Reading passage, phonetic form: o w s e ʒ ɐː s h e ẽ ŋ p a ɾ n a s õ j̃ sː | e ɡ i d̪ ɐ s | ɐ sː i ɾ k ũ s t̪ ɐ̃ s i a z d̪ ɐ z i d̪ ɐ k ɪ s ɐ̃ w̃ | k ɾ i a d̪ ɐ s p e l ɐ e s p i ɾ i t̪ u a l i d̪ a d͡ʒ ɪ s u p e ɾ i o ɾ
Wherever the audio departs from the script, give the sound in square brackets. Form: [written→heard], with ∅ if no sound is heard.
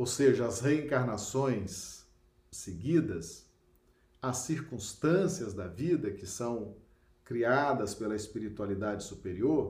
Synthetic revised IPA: o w s e ʒ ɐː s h e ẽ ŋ [p→k] a ɾ n a s õ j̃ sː | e ɡ i d̪ ɐ s | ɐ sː i ɾ k ũ s t̪ ɐ̃ s i [a→ɐ] z d̪ ɐ [z→v] i d̪ ɐ k ɪ s ɐ̃ w̃ | k ɾ i a d̪ ɐ s p e l ɐ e s p i ɾ i t̪ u a l i d̪ a d͡ʒ ɪ s u p e ɾ i o ɾ